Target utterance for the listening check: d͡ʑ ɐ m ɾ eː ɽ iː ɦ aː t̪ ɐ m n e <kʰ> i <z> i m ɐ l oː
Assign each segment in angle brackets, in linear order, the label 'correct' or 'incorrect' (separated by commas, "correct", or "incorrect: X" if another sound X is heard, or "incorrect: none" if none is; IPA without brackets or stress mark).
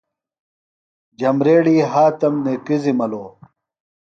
incorrect: k, correct